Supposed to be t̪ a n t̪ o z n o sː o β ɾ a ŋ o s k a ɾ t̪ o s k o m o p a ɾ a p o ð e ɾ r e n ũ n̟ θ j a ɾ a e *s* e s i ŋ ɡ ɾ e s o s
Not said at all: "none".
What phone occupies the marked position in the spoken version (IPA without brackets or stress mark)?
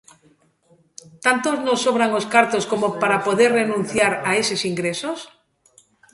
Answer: s